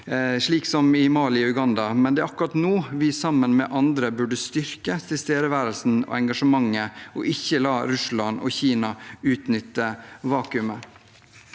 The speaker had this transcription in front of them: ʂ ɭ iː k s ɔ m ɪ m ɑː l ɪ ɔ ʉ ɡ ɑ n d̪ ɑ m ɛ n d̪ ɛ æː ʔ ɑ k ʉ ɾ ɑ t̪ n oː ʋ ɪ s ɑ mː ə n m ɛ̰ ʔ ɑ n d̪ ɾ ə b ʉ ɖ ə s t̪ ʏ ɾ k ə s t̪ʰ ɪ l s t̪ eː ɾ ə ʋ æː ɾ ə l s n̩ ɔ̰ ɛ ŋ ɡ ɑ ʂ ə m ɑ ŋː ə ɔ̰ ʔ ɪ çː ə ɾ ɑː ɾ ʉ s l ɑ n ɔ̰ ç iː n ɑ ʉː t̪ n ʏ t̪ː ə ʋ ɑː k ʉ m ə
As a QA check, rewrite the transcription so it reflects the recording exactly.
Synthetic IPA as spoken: ʂ ɭ iː k s ɔ m ɪ m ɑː l ɪ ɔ ʉ ɡ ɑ n d̪ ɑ m ɛ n d̪ ɛ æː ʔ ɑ k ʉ ɾ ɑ t̪ n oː ʋ ɪ s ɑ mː ə n m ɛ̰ ʔ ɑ n d̪ ɾ ə b ʉ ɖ ə s t̪ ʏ ɾ k ə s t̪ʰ ɪ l s t̪ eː ɾ ə ʋ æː ɾ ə l s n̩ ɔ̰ ɛ ŋ ɡ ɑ ʂ ə m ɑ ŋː ə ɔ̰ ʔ ɪ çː ə l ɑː ɾ ʉ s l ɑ n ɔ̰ ç iː n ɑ ʉː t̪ n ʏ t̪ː ə ʋ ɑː k ʉ m ə